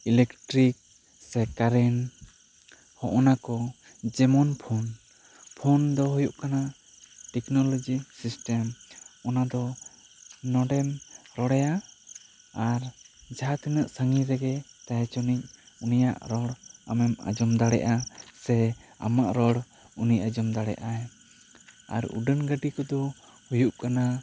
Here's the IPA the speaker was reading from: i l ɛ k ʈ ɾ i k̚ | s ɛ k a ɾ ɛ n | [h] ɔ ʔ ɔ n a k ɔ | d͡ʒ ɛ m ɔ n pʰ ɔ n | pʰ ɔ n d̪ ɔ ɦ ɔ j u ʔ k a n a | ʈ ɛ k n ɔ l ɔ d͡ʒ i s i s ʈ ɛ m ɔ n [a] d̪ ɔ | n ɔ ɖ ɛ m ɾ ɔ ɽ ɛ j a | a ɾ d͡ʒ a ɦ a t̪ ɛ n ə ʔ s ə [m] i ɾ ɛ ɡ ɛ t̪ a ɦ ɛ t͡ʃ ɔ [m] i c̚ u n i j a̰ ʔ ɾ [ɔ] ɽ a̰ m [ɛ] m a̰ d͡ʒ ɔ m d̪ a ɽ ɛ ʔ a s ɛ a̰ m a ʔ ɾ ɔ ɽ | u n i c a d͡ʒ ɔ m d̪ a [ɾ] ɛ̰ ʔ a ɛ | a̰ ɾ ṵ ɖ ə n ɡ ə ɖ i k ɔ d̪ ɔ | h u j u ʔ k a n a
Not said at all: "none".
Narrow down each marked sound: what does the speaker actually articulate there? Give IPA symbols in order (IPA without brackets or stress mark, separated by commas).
h, a, ŋ, n, ɔ, ɛ, ɽ